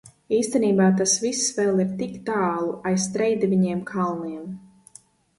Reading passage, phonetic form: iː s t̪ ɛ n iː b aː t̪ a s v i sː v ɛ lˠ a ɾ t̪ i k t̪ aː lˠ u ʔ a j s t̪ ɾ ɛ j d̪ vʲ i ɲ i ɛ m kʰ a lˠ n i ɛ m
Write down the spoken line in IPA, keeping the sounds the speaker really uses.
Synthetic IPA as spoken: iː s t̪ ɛ n iː b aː t̪ a s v i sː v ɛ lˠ i ɾ t̪ i k t̪ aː lˠ u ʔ a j s t̪ ɾ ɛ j d̪ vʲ i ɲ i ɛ m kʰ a lˠ n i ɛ m